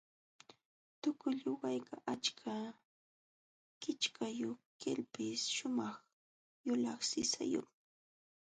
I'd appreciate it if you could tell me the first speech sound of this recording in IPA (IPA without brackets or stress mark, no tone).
t̪